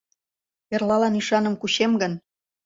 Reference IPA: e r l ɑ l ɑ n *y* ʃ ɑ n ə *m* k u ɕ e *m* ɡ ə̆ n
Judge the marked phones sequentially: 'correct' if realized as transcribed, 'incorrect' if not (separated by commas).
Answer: incorrect, correct, correct